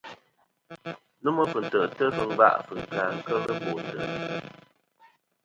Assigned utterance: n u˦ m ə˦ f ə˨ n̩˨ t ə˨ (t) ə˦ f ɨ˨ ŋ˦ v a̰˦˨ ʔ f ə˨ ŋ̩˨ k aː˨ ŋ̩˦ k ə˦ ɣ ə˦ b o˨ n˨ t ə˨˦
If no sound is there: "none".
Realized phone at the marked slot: t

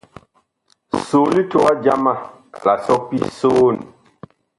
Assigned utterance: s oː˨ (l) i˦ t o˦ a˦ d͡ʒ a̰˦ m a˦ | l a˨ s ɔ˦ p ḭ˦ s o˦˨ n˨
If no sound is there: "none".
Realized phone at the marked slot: l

